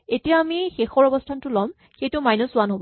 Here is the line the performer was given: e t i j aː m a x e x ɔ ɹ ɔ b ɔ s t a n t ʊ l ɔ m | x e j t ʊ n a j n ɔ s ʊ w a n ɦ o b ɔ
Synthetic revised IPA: e t i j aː m i x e x ɔ ɹ ɔ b ɔ s tʰ a n t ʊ l ɔ m | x e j t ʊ m a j n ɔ s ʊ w a n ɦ o b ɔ